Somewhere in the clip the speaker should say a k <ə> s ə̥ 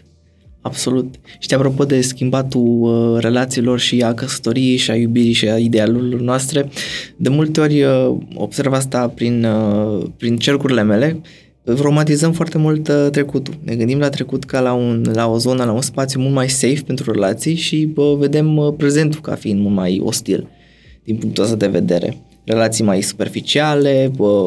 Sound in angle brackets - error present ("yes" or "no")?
no